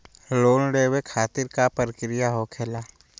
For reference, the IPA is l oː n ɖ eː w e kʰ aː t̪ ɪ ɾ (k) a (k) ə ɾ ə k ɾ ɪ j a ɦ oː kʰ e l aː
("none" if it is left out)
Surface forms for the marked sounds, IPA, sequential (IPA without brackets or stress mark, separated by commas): k, p